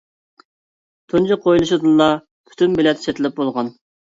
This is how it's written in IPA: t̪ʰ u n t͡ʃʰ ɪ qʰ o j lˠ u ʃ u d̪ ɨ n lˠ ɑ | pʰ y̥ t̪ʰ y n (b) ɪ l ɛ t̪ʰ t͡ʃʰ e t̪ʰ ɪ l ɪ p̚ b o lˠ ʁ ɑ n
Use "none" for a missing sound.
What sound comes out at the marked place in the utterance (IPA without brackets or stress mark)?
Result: b